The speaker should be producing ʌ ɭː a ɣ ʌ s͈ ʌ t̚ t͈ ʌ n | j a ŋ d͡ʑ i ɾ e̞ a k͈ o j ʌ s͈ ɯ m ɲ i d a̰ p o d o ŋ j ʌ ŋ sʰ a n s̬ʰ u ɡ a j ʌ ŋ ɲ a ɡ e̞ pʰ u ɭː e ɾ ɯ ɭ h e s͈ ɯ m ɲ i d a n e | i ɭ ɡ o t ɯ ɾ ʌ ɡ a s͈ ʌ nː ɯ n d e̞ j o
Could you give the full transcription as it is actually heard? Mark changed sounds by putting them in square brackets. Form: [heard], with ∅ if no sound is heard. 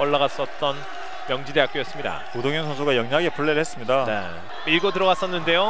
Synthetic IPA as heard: ʌ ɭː a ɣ [a] s͈ ʌ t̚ t͈ ʌ n | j [ʌ] ŋ d͡ʑ i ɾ e̞ a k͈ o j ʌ s͈ ɯ m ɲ i d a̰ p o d o ŋ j ʌ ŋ sʰ [ʌ] n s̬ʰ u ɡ a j ʌ ŋ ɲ a ɡ e̞ pʰ u ɭː e ɾ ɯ ɭ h e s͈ ɯ m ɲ i d a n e | i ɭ ɡ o t ɯ ɾ ʌ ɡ a s͈ ʌ nː ɯ n d e̞ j o